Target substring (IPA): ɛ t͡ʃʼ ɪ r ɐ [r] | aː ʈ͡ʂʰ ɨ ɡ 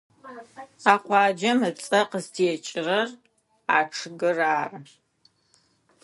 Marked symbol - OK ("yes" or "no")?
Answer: yes